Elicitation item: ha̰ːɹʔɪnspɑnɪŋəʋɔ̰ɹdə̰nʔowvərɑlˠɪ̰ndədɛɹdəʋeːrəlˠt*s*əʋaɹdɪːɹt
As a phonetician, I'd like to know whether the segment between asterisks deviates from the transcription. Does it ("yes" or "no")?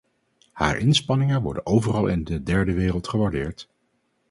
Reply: yes